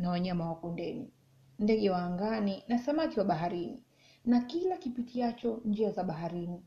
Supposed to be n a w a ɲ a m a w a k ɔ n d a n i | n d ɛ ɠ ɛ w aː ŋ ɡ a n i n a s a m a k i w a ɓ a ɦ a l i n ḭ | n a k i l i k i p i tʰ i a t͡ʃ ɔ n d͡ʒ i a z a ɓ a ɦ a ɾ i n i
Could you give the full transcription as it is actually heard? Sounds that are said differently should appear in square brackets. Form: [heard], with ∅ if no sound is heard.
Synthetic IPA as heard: n a w a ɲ a m a w a k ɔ n d [ɛ] n i | n d ɛ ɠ ɛ w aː ŋ ɡ a n i n a s a m a k i w a ɓ a ɦ a [ɾ] i n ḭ | n a k i l [a] k i p i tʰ i a t͡ʃ ɔ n d͡ʒ i a z a ɓ a ɦ a ɾ i n i